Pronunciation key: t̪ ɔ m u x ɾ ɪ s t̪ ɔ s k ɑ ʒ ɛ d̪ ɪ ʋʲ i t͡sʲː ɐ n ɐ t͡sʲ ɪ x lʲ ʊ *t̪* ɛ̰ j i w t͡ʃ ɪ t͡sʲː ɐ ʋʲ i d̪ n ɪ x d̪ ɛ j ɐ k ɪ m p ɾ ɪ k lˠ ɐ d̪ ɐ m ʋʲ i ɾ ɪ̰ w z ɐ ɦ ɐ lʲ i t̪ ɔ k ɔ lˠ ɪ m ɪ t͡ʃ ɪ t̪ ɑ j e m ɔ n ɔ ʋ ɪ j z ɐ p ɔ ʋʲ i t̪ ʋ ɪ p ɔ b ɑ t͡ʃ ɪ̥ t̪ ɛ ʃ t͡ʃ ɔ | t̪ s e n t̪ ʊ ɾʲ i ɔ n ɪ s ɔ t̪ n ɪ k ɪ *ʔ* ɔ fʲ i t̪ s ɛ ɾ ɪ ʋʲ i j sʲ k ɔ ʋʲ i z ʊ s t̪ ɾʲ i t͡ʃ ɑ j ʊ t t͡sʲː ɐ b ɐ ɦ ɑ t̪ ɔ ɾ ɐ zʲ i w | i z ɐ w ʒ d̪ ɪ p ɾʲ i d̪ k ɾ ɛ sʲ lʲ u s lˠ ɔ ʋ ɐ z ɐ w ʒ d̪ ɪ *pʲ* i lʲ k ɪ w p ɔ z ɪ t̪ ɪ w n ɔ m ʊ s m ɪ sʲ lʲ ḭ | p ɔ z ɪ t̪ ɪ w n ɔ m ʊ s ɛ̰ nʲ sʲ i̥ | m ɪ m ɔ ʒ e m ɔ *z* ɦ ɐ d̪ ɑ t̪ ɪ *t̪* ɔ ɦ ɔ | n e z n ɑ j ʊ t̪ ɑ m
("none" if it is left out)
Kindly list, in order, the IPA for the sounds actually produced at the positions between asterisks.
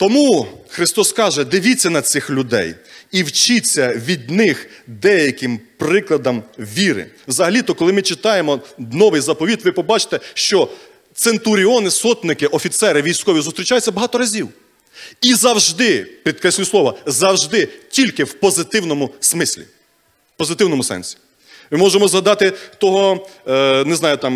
d̪, ʔ, tʲ, z, t̪

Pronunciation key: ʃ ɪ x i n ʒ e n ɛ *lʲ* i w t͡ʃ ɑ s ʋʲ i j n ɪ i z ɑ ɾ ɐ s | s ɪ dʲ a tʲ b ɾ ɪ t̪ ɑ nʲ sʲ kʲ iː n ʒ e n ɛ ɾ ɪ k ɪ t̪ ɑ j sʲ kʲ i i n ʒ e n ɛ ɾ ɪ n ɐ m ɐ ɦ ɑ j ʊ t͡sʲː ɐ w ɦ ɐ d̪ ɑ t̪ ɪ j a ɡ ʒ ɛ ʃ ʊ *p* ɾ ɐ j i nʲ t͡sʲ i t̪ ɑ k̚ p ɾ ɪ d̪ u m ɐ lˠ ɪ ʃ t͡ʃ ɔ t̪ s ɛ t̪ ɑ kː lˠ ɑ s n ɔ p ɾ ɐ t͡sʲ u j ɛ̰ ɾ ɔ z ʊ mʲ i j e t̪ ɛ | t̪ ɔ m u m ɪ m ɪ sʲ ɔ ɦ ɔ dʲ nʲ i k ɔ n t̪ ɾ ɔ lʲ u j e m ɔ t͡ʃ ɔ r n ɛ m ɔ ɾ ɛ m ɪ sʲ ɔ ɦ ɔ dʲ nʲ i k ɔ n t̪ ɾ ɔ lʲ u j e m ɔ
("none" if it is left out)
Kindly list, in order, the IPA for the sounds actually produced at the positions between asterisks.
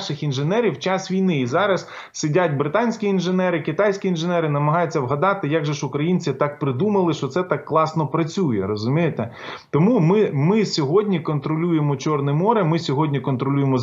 ɾʲ, k

